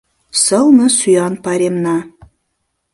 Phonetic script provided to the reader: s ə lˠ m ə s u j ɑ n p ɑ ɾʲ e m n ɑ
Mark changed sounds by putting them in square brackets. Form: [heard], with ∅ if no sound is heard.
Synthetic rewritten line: s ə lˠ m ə s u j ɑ n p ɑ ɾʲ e m n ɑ

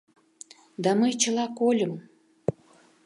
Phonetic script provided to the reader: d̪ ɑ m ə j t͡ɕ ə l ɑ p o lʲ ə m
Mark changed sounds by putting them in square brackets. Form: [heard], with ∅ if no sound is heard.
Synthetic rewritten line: d̪ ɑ m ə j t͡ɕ ə l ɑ [k] o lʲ ə m

